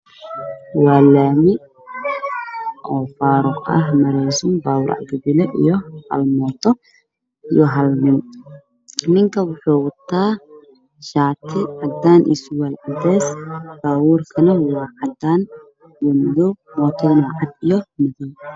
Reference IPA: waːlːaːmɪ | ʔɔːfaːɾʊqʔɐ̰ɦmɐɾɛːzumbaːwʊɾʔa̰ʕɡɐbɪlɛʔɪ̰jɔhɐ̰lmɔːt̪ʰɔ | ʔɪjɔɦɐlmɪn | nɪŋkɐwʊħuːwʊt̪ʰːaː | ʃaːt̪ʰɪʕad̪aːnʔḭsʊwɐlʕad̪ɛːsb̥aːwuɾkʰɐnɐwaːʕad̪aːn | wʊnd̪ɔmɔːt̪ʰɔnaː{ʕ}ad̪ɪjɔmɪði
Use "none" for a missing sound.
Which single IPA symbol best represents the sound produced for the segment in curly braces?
ʕ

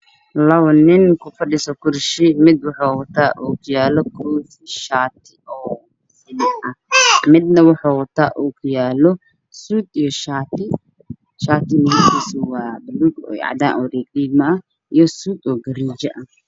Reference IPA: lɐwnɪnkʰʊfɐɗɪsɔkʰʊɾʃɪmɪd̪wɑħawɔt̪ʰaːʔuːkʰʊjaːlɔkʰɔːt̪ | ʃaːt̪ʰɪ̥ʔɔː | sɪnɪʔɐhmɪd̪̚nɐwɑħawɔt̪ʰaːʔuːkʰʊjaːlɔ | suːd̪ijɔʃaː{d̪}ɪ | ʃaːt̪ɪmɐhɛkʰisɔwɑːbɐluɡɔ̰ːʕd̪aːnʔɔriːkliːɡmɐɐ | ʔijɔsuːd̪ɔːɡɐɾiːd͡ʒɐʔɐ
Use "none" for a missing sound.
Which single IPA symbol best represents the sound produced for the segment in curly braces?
t̪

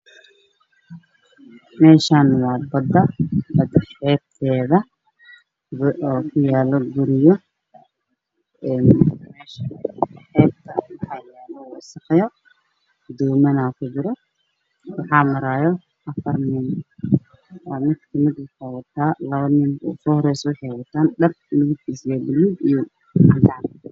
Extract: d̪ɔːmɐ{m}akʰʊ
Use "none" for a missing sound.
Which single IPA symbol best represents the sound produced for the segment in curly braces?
n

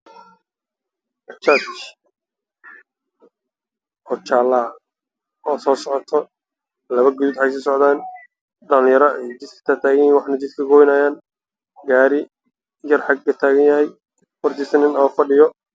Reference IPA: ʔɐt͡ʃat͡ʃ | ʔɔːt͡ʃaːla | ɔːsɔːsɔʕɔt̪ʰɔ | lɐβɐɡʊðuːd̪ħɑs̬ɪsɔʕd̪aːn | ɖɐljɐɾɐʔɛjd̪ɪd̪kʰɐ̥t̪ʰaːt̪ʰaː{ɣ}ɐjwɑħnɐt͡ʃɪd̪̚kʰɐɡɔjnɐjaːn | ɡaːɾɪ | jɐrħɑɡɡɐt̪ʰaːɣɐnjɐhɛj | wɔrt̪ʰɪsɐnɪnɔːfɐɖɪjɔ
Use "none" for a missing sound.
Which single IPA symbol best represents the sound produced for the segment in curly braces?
ɣ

